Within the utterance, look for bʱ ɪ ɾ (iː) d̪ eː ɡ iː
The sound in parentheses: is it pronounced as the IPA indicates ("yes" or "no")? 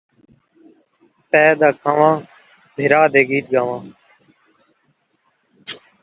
no